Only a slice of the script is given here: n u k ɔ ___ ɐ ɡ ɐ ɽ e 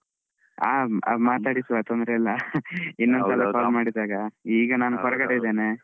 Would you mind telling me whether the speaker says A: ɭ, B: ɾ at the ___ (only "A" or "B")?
B